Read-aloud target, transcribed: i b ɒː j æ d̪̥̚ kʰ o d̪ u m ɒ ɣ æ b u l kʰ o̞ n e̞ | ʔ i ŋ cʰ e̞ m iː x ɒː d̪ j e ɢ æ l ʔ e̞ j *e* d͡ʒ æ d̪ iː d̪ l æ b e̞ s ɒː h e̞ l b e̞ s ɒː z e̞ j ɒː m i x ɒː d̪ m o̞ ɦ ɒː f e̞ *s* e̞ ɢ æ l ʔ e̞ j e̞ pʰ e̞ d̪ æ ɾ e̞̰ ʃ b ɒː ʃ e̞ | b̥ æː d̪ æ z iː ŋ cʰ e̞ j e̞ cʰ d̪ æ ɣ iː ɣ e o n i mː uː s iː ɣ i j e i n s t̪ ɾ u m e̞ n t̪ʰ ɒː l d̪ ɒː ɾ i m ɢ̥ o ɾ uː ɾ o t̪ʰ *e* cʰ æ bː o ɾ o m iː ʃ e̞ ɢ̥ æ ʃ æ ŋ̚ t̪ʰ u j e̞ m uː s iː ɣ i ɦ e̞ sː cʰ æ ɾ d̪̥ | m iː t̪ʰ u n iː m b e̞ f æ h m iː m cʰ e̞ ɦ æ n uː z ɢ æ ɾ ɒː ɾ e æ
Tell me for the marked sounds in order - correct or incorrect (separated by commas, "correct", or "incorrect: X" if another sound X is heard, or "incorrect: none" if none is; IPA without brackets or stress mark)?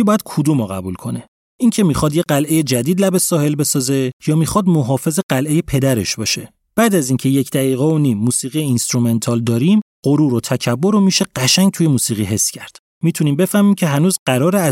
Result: correct, incorrect: z, incorrect: æ